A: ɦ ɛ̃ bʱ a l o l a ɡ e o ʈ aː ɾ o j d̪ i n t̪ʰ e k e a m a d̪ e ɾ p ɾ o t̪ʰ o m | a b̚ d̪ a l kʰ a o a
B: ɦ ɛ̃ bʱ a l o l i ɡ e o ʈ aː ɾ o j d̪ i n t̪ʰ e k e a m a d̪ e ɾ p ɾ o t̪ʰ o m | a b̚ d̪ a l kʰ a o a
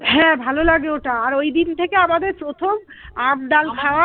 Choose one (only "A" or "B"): A